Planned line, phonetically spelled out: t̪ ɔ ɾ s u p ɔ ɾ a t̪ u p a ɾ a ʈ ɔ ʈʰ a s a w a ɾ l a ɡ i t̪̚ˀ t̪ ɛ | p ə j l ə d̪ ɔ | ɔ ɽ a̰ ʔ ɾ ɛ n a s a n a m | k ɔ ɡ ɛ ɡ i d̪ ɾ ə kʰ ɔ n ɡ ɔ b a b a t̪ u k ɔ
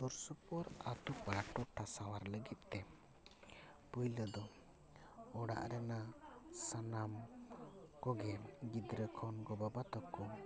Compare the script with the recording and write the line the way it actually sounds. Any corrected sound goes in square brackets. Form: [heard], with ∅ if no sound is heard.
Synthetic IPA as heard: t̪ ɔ ɾ s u p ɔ ɾ a t̪ u p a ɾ a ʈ ɔ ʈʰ a s a w a ɾ l [ə] ɡ i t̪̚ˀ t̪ ɛ | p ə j l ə d̪ ɔ | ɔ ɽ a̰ ʔ ɾ ɛ n a s a n a m | k ɔ ɡ ɛ ɡ i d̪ ɾ ə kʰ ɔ n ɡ ɔ b a b a t̪ [ɔ] k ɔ